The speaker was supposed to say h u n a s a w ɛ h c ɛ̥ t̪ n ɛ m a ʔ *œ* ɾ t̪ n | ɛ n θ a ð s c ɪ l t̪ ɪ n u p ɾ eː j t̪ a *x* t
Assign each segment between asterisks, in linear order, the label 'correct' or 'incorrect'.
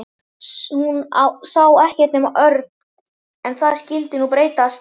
correct, incorrect: s

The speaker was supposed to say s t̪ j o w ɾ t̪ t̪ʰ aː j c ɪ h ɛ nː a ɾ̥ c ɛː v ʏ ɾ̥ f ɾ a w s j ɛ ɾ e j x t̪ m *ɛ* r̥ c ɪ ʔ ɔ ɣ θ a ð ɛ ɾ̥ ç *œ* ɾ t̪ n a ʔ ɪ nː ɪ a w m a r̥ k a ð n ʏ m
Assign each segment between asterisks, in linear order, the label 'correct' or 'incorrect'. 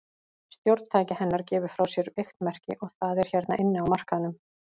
correct, incorrect: ɛ

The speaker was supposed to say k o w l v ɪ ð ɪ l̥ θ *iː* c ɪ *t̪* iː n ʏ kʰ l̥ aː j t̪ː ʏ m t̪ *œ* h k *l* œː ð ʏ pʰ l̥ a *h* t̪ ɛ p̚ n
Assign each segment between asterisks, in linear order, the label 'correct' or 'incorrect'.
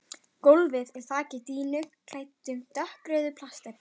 incorrect: aː, correct, correct, incorrect: ɾ, incorrect: s

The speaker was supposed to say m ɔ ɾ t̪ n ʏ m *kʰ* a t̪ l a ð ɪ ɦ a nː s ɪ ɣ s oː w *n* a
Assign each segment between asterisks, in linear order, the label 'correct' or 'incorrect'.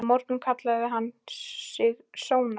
correct, correct

